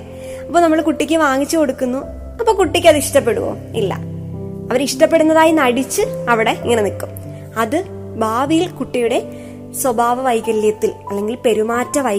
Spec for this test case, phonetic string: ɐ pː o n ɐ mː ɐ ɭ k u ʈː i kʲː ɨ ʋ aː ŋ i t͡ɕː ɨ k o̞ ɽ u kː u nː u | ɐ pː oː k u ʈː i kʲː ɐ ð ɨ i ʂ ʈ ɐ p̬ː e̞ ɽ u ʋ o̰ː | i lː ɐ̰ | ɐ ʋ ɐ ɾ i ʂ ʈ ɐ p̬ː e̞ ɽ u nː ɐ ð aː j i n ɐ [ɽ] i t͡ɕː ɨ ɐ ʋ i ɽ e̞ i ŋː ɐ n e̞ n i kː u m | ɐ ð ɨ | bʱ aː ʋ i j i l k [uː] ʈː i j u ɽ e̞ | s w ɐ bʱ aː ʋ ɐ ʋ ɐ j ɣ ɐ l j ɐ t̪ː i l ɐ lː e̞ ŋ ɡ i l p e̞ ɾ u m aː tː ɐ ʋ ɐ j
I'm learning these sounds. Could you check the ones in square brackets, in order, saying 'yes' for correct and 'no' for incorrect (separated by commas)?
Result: yes, no